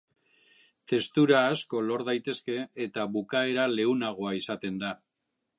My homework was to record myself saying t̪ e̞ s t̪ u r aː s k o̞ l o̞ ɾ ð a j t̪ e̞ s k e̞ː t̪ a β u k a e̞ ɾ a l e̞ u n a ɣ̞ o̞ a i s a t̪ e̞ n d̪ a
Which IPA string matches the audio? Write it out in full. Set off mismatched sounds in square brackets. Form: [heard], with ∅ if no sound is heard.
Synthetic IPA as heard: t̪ e̞ s t̪ u [ɾ] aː s k o̞ l o̞ ɾ ð a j t̪ e̞ s k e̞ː t̪ a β u k a e̞ ɾ a l e̞ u n a ɣ̞ o̞ a i s a t̪ e̞ n d̪ a